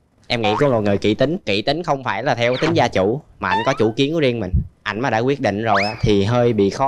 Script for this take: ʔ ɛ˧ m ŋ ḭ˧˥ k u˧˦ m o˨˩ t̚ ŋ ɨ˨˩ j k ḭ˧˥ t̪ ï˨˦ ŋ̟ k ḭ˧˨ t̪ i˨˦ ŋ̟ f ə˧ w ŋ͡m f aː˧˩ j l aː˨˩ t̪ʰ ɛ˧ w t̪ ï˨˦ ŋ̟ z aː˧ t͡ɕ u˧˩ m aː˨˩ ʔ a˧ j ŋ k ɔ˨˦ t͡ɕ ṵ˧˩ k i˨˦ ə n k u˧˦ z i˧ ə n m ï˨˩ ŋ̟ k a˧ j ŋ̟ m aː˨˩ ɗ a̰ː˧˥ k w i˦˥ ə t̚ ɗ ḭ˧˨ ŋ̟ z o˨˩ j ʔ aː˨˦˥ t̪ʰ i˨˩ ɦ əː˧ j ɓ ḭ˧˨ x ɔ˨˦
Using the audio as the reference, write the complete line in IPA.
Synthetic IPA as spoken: ʔ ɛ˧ m ŋ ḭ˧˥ k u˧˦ m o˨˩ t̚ ŋ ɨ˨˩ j k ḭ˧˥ t̪ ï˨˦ ŋ̟ k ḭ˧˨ t̪ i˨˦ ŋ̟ x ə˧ w ŋ͡m f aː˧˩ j l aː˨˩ t̪ʰ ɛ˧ w t̪ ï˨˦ ŋ̟ z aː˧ t͡ɕ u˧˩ m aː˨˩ ʔ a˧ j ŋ k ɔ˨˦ t͡ɕ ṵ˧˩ k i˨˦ ə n k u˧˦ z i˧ ə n m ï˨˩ ŋ̟ ʔ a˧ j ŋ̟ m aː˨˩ ɗ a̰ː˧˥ k w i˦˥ ə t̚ ɗ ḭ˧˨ ŋ̟ z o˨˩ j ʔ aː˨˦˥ t̪ʰ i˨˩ ɦ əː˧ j ɓ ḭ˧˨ x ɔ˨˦

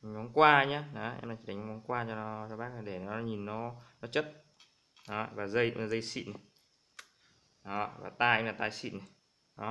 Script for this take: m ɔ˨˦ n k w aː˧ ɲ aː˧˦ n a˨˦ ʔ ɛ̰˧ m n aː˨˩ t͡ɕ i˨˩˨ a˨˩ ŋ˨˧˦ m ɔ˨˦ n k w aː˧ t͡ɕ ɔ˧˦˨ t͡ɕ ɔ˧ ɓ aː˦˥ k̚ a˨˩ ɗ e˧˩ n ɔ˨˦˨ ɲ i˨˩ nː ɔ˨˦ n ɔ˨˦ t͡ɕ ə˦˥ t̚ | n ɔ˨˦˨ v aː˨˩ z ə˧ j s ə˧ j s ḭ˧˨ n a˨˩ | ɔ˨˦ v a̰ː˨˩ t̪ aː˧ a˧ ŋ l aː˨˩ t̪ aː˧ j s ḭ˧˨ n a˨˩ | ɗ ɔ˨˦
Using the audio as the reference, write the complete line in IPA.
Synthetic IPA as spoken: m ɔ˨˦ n k w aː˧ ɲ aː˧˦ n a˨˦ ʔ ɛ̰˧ m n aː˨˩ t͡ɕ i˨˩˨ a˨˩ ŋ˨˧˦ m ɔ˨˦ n k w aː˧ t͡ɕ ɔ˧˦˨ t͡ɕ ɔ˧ ɓ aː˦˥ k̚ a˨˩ ɗ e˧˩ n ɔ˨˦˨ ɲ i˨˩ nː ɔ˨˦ n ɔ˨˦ t͡ɕ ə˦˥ t̚ | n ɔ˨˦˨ v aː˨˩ z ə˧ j z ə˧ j s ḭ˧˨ n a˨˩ | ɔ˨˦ v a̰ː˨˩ t̪ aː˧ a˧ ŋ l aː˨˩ t̪ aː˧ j s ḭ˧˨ n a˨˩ | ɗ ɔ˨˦

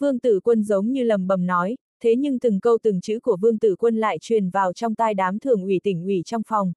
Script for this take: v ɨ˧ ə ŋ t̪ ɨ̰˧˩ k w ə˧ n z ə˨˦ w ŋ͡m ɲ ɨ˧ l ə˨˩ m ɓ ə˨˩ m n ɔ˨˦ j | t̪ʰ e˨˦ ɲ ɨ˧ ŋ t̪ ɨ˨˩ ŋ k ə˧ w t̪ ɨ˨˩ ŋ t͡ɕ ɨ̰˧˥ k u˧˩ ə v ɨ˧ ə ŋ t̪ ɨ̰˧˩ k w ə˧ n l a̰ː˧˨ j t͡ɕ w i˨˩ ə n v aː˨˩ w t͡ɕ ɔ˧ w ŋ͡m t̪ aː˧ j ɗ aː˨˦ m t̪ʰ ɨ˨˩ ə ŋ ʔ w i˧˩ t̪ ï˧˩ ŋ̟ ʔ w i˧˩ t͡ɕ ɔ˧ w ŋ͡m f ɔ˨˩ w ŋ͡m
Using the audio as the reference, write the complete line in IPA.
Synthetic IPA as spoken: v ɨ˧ ə ŋ t̪ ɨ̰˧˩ k w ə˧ n z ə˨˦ w ŋ͡m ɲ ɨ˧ l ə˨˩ m ɓ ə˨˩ m n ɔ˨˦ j | t̪ʰ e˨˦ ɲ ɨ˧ ŋ t̪ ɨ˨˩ ŋ k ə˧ w t̪ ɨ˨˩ ŋ t͡ɕ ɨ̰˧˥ k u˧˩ ə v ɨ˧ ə ŋ t̪ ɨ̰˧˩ k w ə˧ n l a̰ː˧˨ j t͡ɕ w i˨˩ ə n v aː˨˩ w t͡ɕ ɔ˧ w ŋ͡m t̪ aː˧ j ɗ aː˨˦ m t̪ʰ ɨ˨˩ ə ŋ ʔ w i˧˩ t̪ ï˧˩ ŋ̟ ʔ w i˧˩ t͡ɕ ɔ˧ w ŋ͡m f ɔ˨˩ w ŋ͡m

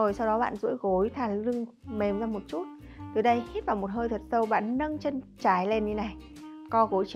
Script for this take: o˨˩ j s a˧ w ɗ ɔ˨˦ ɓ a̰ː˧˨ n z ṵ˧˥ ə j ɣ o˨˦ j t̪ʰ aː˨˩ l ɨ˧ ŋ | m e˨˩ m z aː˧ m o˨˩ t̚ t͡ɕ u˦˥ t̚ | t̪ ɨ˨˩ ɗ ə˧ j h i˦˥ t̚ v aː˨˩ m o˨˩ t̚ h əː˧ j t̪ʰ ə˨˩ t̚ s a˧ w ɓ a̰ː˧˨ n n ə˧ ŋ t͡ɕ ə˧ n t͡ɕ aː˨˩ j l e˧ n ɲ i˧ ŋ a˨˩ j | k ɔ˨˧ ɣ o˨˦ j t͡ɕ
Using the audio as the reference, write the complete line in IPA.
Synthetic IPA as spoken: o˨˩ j s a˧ w ɗ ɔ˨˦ ɓ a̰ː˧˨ n z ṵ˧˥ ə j ɣ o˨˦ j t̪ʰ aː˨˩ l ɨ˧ ŋ | m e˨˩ m z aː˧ m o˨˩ t̚ t͡ɕ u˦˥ t̚ | t̪ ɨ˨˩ ɗ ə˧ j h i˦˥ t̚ v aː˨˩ m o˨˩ t̚ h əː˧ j t̪ʰ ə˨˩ t̚ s ə˧ w ɓ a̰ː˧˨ n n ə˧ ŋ t͡ɕ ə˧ n t͡ɕ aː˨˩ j l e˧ n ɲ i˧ n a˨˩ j | k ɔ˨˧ ɣ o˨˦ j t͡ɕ

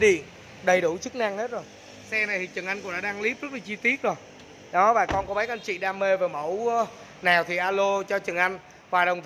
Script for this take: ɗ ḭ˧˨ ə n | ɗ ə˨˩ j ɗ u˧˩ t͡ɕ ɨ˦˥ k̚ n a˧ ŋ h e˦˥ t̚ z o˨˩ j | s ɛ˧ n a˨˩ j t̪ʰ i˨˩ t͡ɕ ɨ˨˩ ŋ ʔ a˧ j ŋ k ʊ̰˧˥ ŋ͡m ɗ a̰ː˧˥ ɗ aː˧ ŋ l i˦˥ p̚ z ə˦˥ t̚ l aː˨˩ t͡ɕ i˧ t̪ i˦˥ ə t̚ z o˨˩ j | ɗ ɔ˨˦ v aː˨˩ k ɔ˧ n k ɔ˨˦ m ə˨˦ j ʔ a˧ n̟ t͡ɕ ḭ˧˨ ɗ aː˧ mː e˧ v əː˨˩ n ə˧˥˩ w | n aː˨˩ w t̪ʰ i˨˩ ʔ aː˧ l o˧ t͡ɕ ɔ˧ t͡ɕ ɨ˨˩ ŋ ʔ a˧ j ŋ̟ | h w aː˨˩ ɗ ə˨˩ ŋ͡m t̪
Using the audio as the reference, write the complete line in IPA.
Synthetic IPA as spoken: ɗ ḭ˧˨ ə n | ɗ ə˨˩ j ɗ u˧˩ t͡ɕ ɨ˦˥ k̚ n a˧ ŋ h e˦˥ t̚ z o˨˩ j | s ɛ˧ n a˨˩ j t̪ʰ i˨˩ t͡ɕ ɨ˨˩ ŋ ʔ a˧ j ŋ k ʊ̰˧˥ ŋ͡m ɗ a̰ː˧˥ ɗ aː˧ ŋ l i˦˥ p̚ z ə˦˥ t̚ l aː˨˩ t͡ɕ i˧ t̪ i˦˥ ə t̚ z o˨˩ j | ɗ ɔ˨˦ v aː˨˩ k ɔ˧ n k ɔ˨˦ m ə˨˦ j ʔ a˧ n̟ t͡ɕ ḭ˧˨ ɗ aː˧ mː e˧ v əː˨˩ m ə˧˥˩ w | n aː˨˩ w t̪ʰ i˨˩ ʔ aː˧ l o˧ t͡ɕ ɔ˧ t͡ɕ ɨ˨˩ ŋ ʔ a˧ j ŋ̟ | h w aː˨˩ ɗ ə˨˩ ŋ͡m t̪

